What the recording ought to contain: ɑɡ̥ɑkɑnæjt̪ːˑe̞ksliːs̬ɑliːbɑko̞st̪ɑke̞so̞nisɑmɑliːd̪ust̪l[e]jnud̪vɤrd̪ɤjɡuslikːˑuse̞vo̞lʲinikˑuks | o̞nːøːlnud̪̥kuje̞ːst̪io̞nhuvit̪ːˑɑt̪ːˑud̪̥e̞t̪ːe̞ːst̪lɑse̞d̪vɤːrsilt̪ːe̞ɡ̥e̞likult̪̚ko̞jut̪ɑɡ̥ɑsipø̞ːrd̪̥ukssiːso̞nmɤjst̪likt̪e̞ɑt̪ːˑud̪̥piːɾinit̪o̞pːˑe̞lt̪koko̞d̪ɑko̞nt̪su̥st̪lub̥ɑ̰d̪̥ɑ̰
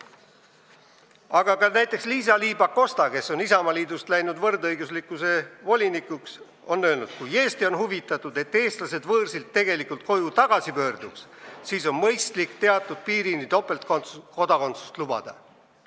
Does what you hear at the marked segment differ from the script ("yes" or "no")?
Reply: yes